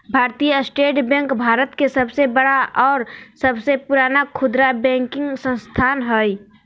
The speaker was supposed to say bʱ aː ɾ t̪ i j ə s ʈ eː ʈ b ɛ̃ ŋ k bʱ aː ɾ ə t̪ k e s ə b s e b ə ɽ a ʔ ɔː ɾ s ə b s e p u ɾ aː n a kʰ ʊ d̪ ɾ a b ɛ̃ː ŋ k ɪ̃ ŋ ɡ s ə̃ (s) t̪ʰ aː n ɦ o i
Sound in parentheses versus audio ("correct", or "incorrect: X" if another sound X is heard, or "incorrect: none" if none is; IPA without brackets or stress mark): correct